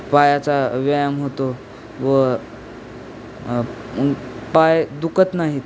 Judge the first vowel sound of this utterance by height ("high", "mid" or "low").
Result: low